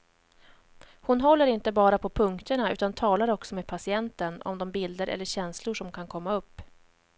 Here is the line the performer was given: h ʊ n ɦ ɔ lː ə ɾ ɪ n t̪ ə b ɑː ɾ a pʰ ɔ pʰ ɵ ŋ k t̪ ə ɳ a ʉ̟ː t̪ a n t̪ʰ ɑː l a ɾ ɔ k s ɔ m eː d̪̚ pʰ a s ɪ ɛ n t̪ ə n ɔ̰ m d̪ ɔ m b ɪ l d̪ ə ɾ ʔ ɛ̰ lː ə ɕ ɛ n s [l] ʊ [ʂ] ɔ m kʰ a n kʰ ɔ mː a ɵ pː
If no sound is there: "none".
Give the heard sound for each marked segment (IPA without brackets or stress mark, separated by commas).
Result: l, ʂ